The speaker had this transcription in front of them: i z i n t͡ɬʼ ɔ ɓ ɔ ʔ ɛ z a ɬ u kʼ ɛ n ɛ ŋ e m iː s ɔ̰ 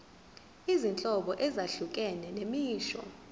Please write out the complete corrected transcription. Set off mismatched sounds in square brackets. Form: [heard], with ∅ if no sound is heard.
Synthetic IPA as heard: i z i n t͡ɬʼ ɔ ɓ ɔ ʔ ɛ z a ɬ u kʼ ɛ n ɛ [n] e m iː [ʃ] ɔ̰